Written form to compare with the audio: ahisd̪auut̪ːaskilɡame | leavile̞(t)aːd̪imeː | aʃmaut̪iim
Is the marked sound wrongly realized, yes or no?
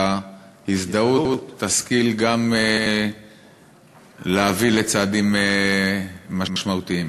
yes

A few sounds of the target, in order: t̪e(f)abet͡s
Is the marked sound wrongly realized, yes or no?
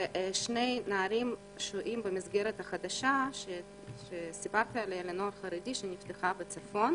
yes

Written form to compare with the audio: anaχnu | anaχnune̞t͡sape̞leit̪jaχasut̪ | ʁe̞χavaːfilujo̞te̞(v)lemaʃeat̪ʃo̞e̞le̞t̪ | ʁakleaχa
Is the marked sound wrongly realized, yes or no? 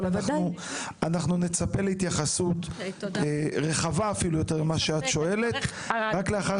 yes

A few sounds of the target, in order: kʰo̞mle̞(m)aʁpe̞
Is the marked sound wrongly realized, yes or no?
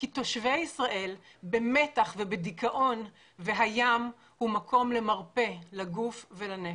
no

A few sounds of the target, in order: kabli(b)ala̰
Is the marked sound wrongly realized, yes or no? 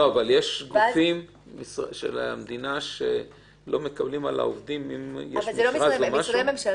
yes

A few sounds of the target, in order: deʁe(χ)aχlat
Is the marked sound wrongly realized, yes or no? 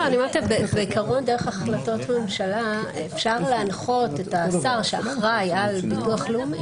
no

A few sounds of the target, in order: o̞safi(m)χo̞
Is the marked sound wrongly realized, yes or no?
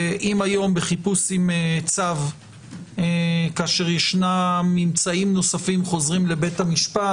no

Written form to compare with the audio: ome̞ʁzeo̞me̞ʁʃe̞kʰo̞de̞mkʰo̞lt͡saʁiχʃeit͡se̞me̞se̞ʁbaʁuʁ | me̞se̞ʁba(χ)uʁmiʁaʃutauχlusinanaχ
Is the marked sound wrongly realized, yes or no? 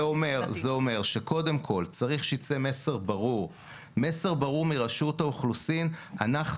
yes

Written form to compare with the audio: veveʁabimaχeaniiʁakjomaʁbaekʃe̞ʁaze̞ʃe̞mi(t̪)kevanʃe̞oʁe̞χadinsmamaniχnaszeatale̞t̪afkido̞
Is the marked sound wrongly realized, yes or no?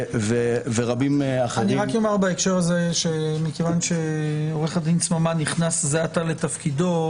yes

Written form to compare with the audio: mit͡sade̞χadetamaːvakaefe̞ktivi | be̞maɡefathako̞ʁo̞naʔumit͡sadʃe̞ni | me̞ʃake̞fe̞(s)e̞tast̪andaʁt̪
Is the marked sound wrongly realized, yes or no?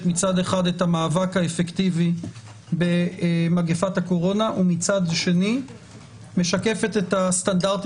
yes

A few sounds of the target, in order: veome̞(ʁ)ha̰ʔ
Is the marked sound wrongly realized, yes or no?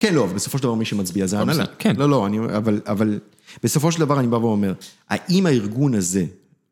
no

